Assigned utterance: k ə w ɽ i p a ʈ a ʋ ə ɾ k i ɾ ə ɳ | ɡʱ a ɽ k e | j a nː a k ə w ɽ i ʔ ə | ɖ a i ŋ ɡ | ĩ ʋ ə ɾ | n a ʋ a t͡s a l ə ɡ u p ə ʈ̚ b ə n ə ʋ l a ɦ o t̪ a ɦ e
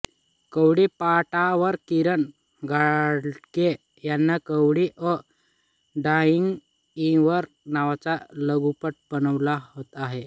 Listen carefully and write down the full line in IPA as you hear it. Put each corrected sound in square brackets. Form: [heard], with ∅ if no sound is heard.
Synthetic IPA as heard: k ə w ɽ i p a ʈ a ʋ ə ɾ k i ɾ ə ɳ | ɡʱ a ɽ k e | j a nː a k ə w ɽ i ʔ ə | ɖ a i ŋ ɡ | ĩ ʋ ə ɾ | n a ʋ a t͡s a l ə ɡ u p ə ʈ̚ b ə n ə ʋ l a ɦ o t̪ a ɦ e